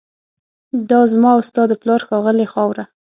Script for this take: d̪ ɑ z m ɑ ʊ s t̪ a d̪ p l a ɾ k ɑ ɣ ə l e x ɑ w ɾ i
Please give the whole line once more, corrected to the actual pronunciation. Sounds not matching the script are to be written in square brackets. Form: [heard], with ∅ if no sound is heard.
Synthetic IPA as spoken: d̪ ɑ z m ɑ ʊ s t̪ [ɑ] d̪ p l [ɑ] ɾ [x] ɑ ɣ ə l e x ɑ w ɾ [a]